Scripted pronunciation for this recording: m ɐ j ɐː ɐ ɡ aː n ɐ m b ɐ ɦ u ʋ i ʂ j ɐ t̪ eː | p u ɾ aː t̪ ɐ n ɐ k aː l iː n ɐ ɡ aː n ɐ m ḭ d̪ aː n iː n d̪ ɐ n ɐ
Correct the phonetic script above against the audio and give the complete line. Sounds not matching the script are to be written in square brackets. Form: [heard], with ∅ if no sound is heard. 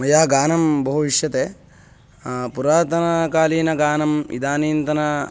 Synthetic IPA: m ɐ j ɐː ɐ ɡ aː n ɐ m b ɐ ɦ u ʋ i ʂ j ɐ t̪ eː | p u ɾ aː t̪ ɐ n ɐ k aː l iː n ɐ ɡ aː n ɐ m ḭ d̪ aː n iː n [t̪] ɐ n ɐ